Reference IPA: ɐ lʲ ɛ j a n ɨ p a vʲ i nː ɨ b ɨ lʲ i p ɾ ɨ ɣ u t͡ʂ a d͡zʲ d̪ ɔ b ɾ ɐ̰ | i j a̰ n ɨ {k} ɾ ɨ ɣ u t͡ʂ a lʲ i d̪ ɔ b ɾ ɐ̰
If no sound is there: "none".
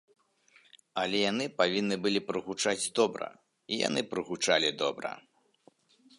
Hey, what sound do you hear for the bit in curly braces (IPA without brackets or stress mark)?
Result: p